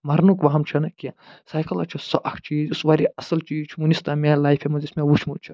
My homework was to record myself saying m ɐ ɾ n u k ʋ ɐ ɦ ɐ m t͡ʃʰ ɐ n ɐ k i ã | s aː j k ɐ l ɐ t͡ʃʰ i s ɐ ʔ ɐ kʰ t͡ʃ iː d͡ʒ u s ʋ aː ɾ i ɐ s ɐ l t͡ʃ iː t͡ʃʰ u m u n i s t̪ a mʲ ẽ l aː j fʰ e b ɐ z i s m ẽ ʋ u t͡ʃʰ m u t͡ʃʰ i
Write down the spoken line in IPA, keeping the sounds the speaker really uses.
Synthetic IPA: m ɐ ɾ n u k ʋ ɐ ɦ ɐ m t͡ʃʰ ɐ n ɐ k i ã | s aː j k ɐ l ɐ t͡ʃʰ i s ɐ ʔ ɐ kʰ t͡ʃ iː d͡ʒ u s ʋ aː ɾ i ɐ s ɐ l t͡ʃ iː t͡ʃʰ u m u n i s t̪ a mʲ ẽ l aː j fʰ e m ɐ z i s m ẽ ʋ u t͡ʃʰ m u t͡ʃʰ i